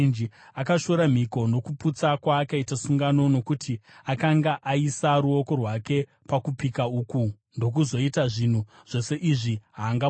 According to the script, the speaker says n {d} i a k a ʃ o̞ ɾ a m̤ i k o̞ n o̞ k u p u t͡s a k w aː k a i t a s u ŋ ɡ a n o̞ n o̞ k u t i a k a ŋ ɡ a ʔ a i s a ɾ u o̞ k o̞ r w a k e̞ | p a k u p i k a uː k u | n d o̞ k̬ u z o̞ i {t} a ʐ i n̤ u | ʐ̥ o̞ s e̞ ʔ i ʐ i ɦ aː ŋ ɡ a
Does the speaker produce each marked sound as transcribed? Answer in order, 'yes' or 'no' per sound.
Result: no, yes

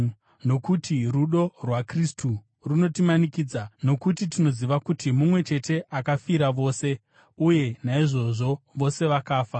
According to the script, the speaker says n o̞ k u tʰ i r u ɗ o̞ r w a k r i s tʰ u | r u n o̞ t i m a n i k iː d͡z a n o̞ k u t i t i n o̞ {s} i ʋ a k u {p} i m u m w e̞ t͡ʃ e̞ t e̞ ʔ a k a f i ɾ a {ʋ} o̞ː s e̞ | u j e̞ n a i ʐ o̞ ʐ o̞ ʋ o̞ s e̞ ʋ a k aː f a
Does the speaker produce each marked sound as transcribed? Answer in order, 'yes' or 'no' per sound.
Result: no, no, yes

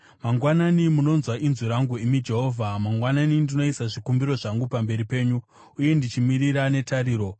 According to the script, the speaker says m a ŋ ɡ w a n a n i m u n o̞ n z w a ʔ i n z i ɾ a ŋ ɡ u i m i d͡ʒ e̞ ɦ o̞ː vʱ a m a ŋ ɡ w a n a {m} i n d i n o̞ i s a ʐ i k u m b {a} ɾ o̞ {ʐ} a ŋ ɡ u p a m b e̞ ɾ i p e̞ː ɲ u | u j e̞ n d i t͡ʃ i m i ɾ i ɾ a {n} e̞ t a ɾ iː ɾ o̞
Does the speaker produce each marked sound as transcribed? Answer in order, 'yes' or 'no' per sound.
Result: no, no, yes, yes

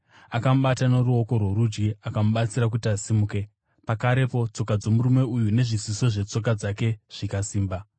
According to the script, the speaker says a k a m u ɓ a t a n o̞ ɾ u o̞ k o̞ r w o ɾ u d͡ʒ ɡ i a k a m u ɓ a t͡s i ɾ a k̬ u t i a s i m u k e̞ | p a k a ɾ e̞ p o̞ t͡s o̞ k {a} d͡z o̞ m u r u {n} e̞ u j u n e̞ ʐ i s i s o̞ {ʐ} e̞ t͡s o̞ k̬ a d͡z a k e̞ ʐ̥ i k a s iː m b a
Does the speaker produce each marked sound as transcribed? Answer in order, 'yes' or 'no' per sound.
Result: yes, no, yes

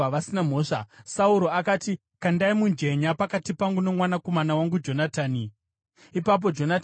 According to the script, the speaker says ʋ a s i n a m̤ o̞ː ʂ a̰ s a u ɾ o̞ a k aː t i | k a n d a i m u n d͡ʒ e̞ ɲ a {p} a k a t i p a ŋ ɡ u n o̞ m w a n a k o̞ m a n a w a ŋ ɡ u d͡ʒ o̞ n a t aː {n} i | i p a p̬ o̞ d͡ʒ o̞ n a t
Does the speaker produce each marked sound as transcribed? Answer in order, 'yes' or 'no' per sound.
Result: yes, yes

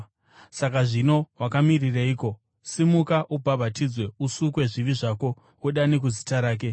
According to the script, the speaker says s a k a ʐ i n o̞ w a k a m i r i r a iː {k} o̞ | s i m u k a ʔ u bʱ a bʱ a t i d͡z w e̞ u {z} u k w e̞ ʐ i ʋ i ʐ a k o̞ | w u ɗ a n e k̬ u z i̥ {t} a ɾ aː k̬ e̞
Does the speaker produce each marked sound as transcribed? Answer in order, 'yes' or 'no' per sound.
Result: yes, no, yes

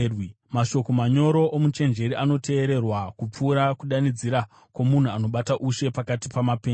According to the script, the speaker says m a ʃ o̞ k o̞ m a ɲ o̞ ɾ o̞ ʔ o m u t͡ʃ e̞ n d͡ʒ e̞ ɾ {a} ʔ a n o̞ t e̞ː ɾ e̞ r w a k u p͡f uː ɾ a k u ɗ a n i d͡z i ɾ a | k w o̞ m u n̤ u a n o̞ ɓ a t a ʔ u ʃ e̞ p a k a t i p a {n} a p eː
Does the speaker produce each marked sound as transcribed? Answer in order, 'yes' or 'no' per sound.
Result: no, no

